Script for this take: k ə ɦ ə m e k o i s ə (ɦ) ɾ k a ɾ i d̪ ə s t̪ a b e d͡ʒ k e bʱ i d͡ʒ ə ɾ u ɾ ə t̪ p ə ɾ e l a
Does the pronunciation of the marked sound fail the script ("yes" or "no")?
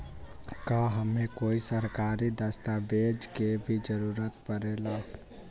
yes